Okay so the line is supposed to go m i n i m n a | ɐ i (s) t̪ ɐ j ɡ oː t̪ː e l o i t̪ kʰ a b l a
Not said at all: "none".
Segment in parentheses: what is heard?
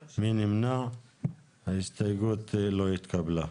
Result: s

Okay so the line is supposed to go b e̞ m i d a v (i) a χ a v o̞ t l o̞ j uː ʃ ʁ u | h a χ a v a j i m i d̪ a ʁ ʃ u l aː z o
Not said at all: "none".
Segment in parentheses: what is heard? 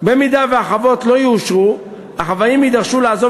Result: e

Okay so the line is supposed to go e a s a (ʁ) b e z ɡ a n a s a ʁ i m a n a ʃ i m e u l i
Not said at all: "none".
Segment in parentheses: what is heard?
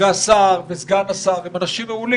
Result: ʁ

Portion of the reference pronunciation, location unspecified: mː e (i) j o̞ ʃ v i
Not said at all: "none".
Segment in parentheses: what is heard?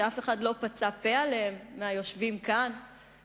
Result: a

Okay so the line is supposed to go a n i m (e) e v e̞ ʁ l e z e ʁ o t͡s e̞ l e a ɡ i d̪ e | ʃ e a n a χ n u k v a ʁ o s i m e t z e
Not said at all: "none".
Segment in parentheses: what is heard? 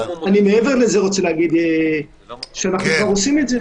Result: e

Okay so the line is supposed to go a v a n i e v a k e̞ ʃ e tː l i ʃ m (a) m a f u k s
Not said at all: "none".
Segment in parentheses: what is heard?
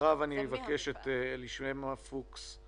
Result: e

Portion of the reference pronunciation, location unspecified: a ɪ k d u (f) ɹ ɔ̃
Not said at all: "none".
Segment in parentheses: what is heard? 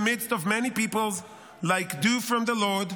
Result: f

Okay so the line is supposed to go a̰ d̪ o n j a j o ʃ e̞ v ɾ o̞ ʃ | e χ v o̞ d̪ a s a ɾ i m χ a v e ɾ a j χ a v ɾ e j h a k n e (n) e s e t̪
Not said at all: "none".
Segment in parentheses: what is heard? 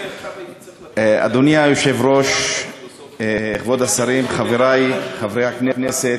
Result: n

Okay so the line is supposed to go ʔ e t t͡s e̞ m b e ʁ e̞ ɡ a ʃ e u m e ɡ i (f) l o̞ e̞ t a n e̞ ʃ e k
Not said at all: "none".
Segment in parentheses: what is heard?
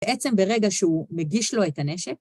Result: ʃ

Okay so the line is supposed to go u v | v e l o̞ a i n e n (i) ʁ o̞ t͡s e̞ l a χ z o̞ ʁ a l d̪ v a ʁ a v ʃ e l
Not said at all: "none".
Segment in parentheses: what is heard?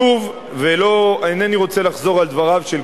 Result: i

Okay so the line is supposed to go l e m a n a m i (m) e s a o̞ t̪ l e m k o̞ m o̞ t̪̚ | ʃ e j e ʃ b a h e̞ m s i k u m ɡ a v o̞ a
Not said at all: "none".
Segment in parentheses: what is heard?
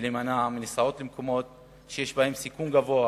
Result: n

